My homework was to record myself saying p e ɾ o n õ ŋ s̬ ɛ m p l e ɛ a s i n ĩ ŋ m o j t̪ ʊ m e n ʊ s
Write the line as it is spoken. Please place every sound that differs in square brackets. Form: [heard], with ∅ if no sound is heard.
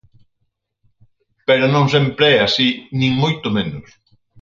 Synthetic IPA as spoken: p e ɾ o n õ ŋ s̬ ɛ m p [ɾ] e ɛ a s i n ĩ ŋ m o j t̪ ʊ m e n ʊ s